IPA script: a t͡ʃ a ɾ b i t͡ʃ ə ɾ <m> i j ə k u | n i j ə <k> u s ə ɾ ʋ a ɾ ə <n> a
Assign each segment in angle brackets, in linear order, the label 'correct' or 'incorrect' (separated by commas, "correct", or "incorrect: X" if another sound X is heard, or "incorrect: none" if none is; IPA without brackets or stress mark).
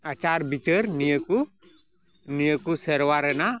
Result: incorrect: n, correct, correct